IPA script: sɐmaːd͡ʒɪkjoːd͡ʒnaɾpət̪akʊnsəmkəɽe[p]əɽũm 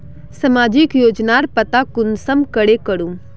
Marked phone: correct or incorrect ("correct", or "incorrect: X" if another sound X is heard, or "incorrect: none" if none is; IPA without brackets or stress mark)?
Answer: incorrect: k